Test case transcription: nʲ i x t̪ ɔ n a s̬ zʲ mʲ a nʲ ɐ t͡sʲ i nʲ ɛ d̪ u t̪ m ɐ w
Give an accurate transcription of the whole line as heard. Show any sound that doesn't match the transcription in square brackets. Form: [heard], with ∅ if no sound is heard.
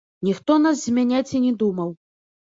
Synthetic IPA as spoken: nʲ i x t̪ ɔ n a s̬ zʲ mʲ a nʲ [a] t͡sʲ i nʲ ɛ d̪ u [∅] m ɐ w

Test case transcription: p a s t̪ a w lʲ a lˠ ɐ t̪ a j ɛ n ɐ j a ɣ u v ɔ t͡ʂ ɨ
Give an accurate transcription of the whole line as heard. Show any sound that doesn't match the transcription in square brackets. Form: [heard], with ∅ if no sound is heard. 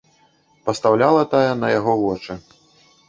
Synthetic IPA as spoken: p [ɐ] s t̪ a w lʲ a lˠ ɐ t̪ a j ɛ n ɐ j a ɣ [ɔ] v ɔ t͡ʂ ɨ

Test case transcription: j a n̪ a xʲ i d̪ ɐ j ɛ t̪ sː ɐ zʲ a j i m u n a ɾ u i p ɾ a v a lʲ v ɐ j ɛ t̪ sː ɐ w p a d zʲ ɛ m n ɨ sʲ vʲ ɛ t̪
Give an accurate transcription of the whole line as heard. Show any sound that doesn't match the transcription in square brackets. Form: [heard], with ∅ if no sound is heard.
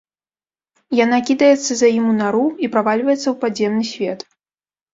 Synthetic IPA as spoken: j a n̪ a [kʲ] i d̪ ɐ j ɛ t̪ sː ɐ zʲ a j i m u n a ɾ u i p ɾ a v a lʲ v ɐ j ɛ t̪ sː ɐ w p a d zʲ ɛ m n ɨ sʲ vʲ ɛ t̪

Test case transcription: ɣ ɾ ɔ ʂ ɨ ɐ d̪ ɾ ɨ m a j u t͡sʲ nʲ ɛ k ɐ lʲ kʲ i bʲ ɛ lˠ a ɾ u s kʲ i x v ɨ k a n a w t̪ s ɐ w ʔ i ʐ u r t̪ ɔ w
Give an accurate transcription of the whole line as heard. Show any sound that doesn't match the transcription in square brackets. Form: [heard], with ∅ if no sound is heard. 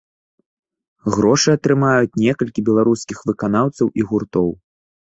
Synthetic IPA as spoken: ɣ ɾ ɔ ʂ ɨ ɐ [t̪] ɾ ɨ m a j u t͡sʲ nʲ ɛ k ɐ lʲ kʲ i bʲ ɛ lˠ a ɾ u s kʲ i x v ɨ k a n a w t̪ s ɐ w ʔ i [ɣ] u r t̪ ɔ w

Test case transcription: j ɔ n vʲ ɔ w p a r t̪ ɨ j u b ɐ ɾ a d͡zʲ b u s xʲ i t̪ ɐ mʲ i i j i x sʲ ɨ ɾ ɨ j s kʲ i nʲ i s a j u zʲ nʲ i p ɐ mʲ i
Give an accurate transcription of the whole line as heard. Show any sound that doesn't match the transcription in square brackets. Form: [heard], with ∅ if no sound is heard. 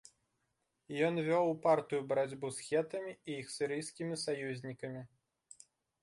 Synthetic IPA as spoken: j ɔ n vʲ ɔ w p a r t̪ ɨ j u b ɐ ɾ a d͡zʲ b u s xʲ [ɛ] t̪ ɐ mʲ i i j i x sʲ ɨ ɾ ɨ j s kʲ i [mʲ] i s a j u zʲ nʲ i [k] ɐ mʲ i

